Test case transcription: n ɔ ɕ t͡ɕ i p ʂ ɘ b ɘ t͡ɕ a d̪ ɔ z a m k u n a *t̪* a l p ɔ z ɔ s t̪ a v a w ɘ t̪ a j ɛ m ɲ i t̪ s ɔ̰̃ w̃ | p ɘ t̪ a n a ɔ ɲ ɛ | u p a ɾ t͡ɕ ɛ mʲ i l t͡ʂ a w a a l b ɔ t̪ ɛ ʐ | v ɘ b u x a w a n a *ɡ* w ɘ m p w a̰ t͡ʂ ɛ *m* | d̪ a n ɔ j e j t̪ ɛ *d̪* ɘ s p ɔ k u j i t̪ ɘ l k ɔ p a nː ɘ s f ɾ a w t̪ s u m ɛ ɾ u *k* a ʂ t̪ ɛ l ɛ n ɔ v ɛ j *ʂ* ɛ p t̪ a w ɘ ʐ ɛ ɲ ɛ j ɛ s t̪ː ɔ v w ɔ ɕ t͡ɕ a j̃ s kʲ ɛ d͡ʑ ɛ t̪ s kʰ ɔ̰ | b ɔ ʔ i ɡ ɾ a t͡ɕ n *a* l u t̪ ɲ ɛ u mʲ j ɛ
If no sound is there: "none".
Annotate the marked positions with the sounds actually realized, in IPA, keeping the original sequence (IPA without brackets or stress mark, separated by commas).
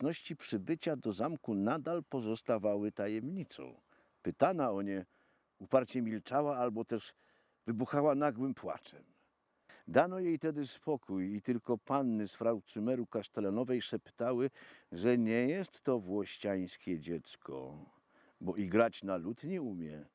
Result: d̪, ɡ, m, d̪, k, ʂ, a